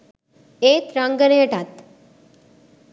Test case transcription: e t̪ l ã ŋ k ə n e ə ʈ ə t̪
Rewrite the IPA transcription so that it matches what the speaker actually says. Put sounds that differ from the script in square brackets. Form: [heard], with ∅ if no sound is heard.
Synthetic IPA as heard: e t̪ [ɾ] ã ŋ [ɡ] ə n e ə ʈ [a] t̪